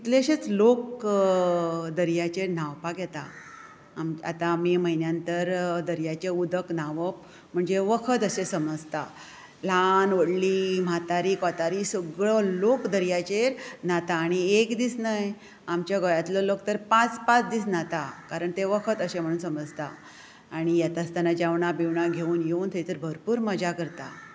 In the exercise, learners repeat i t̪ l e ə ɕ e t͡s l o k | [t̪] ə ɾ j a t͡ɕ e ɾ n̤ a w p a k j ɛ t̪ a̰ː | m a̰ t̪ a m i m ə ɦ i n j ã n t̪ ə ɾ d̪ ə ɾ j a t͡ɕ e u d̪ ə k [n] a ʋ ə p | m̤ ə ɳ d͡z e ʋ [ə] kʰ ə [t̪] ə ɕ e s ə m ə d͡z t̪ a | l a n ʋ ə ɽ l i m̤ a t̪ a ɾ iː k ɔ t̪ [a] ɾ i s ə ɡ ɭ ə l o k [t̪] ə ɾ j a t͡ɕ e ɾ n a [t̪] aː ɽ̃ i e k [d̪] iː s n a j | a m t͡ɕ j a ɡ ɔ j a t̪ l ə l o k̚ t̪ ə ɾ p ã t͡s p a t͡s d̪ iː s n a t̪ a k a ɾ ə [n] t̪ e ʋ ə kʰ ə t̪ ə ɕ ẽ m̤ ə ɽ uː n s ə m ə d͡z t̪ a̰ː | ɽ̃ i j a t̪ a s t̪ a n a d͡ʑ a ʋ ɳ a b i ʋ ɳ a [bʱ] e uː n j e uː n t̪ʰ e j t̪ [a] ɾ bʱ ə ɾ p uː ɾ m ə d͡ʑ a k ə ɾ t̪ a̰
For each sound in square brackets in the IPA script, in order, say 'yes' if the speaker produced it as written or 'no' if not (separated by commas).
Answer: no, yes, yes, yes, yes, no, yes, yes, no, no, no